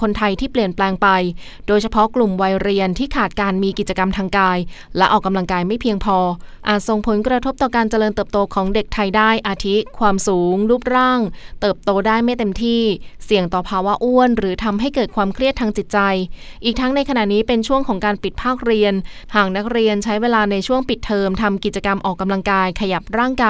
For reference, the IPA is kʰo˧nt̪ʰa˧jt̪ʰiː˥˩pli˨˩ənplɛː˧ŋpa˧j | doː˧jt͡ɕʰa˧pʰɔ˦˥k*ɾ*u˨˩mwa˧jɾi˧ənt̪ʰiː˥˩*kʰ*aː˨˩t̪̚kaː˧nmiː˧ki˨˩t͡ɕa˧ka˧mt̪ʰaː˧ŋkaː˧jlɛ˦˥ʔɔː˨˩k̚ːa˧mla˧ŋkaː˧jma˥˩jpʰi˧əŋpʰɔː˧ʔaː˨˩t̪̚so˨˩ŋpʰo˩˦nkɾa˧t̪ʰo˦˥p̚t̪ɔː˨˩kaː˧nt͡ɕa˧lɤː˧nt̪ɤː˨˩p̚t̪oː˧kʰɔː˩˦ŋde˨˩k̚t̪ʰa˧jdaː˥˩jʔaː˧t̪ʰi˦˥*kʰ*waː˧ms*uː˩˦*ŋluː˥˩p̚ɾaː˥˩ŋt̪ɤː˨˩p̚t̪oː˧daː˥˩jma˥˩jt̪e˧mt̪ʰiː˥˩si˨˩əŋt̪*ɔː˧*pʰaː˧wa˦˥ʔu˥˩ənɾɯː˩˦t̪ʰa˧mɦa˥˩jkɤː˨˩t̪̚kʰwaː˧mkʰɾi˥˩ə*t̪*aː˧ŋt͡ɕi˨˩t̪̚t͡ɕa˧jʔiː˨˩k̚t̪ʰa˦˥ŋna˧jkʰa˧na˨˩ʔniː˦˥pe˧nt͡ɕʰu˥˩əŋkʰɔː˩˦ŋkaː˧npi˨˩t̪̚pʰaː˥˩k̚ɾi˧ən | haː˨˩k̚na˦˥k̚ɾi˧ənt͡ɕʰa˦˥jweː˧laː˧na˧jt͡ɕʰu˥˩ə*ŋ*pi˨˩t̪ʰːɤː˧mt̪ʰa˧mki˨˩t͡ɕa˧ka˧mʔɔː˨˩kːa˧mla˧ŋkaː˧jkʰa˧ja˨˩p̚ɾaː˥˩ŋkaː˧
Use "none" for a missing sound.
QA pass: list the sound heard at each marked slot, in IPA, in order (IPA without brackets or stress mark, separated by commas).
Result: l, kʰ, kʰ, uː˩˦, ɔː˨˩, t̪ʰ, ŋ